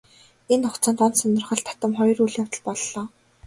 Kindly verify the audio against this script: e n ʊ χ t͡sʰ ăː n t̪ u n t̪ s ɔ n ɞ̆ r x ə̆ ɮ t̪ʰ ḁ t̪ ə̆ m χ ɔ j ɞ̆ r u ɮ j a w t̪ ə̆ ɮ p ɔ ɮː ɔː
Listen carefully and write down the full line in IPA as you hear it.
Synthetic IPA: e n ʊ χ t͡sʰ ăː n t̪ ɔ n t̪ s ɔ n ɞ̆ r χ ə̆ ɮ t̪ʰ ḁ t̪ ə̆ m χ ɔ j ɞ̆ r u ɮ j a w t̪ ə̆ ɮ p ɔ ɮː ɔː